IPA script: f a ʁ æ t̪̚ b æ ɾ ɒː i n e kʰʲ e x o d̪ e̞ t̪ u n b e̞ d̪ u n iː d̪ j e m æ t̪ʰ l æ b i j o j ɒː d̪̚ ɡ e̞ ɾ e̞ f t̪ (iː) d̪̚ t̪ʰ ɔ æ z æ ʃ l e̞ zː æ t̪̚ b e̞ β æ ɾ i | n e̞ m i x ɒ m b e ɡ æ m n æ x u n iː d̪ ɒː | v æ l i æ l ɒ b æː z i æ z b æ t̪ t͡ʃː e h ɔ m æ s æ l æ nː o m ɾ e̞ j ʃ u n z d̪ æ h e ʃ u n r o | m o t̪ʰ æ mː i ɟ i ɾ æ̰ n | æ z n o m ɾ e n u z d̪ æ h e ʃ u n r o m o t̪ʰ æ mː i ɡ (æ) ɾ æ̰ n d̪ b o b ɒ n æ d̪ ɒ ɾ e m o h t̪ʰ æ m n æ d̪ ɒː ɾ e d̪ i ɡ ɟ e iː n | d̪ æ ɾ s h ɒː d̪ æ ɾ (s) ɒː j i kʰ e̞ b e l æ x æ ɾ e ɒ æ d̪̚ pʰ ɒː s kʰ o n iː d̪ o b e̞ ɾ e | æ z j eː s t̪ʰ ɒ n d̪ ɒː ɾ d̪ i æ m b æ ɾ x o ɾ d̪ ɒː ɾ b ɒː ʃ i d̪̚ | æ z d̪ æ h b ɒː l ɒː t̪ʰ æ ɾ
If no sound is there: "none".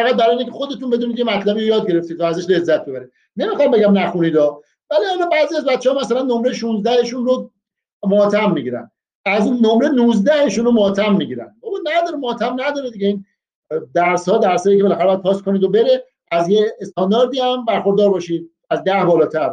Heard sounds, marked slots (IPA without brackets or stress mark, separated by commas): i, i, s